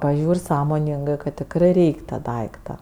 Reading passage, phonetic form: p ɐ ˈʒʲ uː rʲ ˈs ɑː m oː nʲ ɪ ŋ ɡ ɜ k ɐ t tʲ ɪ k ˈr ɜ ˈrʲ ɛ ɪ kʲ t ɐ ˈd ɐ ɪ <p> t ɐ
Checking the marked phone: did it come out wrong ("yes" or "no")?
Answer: yes